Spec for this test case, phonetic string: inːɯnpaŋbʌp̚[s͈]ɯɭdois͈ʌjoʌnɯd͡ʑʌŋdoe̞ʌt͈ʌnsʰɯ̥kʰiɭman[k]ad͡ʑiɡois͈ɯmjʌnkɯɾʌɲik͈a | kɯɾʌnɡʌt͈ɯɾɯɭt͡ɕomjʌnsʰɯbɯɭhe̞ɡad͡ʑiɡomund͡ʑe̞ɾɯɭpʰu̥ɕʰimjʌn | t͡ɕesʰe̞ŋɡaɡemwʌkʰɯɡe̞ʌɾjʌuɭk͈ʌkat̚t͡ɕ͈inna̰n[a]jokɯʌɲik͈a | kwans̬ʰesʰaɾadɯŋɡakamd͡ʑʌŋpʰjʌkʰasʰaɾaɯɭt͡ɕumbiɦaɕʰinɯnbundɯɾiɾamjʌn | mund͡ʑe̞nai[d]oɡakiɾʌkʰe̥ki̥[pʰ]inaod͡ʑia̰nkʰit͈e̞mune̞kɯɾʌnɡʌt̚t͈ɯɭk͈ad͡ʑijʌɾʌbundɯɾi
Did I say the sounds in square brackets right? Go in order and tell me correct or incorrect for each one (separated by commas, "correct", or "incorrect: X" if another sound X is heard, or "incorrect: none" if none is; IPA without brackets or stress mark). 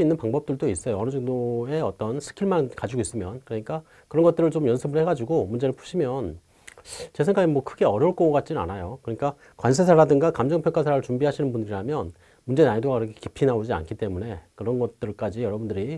incorrect: t͈, correct, correct, correct, correct